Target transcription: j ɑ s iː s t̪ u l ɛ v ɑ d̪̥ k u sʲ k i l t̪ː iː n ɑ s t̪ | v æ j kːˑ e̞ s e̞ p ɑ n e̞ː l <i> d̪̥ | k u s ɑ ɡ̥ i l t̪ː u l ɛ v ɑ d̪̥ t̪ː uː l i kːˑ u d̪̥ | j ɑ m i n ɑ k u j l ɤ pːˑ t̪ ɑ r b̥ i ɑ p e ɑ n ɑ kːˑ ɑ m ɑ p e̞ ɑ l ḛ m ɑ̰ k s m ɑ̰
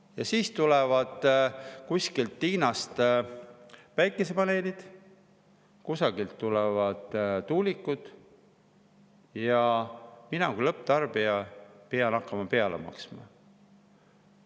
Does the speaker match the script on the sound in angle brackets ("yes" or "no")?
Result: yes